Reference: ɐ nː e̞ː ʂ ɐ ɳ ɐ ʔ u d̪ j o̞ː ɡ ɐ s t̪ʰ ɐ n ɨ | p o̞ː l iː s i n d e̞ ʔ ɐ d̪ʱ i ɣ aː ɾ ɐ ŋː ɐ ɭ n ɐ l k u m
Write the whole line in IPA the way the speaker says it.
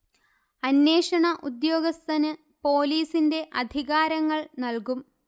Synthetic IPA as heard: ɐ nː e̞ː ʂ ɐ ɳ ɐ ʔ u d̪ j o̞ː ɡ ɐ s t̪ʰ ɐ n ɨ | p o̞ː l iː s i n d e̞ ʔ ɐ d̪ʱ i ɣ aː ɾ ɐ ŋː ɐ ɭ n ɐ l k u m